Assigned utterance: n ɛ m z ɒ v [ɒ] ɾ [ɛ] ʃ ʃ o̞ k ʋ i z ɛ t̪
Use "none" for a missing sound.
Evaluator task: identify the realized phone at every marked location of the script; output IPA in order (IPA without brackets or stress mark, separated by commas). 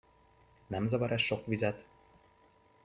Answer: ɒ, ɛ